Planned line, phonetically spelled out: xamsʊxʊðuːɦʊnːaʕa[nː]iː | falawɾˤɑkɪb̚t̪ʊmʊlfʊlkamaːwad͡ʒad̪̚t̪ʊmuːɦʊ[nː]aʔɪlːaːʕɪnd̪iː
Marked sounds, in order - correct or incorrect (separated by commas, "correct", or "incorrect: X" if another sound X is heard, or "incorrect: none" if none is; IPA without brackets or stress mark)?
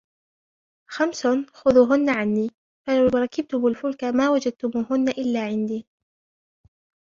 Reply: correct, correct